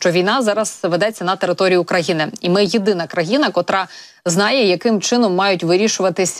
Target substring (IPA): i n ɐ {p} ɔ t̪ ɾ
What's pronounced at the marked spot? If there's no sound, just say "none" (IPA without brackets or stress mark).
k